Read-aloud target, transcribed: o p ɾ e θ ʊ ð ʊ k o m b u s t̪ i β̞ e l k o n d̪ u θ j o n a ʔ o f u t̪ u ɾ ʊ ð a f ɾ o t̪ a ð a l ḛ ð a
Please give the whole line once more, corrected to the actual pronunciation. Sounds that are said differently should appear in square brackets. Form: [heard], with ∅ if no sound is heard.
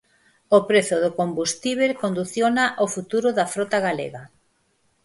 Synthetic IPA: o p ɾ e θ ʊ ð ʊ k o m b u s t̪ i β̞ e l k o n d̪ u θ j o n a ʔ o f u t̪ u ɾ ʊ ð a f ɾ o t̪ a [ɣ] a l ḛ [ɣ] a